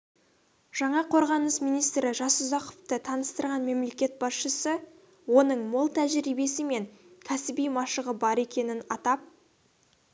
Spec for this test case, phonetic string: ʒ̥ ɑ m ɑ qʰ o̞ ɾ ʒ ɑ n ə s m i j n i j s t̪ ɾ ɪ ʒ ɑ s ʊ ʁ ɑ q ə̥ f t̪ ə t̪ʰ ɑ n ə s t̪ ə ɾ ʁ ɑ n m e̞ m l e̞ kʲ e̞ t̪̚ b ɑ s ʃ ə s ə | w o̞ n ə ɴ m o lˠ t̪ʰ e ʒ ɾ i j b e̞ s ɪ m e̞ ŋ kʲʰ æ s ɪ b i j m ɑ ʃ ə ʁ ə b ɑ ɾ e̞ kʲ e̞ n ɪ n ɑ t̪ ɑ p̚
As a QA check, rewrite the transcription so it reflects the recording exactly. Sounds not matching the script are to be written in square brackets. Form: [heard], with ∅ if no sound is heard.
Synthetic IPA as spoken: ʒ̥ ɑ [ɴ] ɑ qʰ o̞ ɾ [ʁ] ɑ n ə s m i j n i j s t̪ ɾ ɪ ʒ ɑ s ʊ [z] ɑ q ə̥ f t̪ ə t̪ʰ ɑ n ə s t̪ ə ɾ ʁ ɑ n m e̞ m l e̞ kʲ e̞ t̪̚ b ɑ s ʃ ə s ə | w o̞ n ə ɴ m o lˠ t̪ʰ [æ] ʒ ɾ i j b e̞ s ɪ m e̞ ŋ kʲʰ æ s ɪ b i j m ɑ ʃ ə ʁ ə b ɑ ɾ e̞ kʲ e̞ n ɪ n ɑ t̪ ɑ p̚

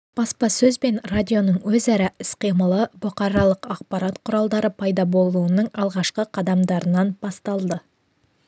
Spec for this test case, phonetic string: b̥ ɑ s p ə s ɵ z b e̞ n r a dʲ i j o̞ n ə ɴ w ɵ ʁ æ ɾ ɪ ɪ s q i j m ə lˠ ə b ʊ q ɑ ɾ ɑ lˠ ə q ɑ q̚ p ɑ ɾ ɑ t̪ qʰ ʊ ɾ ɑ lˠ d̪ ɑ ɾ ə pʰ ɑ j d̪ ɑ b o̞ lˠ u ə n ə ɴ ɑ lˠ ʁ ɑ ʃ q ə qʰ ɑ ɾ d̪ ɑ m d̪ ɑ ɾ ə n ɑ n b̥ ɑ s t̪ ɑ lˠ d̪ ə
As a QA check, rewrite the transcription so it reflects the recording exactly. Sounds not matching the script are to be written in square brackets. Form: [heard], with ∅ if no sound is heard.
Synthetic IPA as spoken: b̥ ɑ s p [ɑ] s ɵ z b e̞ n r a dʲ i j o̞ n ə ɴ w ɵ [z] æ ɾ ɪ ɪ s q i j m ə lˠ ə b ʊ q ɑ ɾ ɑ lˠ ə q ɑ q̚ p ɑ ɾ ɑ t̪ qʰ ʊ ɾ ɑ lˠ d̪ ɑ ɾ ə pʰ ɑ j d̪ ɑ b o̞ lˠ u ə n ə ɴ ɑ lˠ ʁ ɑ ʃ q ə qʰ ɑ [∅] d̪ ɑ m d̪ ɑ ɾ ə n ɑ n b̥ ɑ s t̪ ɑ lˠ d̪ ə

